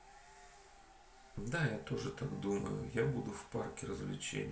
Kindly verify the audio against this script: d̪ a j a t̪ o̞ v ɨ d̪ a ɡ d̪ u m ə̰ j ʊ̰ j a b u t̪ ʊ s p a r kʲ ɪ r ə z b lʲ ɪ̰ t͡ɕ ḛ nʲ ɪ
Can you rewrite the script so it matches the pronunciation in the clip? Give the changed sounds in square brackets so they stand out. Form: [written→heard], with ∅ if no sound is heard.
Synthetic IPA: d̪ a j a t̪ o̞ [v→ʐ] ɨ [d̪→t̪] a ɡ d̪ u m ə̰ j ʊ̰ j a b u [t̪→d̪] ʊ [s→f] p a r kʲ ɪ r ə z [b→v] lʲ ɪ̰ t͡ɕ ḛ nʲ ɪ